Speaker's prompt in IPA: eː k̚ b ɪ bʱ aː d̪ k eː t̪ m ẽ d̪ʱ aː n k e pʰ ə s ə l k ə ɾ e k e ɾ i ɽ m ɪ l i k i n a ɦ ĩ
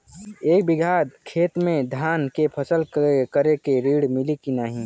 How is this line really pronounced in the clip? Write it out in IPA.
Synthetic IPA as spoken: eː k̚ b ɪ ɡʱ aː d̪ kʰ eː t̪ m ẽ d̪ʱ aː n k e pʰ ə s ə l k ə ɾ e k e ɾ i ɽ m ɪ l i k i n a ɦ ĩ